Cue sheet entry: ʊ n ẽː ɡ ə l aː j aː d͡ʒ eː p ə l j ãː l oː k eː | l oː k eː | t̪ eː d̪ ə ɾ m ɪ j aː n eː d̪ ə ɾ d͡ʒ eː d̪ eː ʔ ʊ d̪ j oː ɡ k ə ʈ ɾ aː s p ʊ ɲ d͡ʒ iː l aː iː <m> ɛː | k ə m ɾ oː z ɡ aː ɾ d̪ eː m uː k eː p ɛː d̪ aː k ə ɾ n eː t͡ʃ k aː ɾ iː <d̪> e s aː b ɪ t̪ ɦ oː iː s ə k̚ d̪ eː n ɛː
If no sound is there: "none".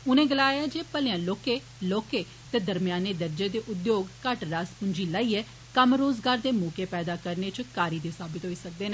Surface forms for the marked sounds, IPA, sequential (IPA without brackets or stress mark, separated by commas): none, d̪